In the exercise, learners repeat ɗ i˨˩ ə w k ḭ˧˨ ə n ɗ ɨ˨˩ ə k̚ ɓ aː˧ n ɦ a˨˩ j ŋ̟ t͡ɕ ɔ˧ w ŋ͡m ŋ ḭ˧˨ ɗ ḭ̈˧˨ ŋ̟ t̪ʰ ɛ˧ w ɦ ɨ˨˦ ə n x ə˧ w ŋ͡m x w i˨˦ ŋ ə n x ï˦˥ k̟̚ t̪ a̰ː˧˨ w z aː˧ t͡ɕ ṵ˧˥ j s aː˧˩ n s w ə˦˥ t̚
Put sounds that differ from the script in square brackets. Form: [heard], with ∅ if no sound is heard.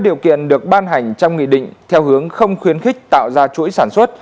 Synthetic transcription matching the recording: ɗ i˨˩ ə w k ḭ˧˨ ə n ɗ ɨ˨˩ ə k̚ ɓ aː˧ n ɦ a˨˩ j ŋ̟ t͡ɕ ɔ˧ w ŋ͡m ŋ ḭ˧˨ ɗ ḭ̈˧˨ ŋ̟ t̪ʰ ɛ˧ w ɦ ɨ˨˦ ə [ŋ] x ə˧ w ŋ͡m x w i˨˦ [∅] ə n x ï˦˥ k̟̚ t̪ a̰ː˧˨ w z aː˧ t͡ɕ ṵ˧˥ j s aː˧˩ n s w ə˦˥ t̚